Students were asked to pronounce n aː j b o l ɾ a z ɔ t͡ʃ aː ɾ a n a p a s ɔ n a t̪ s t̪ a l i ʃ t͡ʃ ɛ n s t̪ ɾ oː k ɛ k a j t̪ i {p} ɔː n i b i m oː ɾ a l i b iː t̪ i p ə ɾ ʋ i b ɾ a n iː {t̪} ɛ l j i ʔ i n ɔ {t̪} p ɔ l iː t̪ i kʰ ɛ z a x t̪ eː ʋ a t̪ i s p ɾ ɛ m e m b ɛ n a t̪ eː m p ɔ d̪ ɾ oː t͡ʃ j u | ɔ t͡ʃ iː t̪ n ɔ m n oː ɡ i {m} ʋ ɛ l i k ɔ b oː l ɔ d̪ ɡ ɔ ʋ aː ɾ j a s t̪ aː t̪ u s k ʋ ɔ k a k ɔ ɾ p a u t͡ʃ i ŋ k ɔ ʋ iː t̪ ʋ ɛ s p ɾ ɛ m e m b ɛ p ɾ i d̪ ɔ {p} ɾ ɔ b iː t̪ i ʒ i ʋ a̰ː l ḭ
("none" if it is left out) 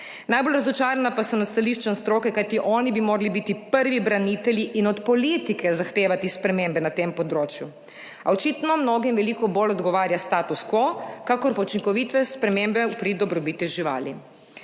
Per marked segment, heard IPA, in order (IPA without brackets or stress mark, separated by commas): ʔ, t̪, t̪, m, b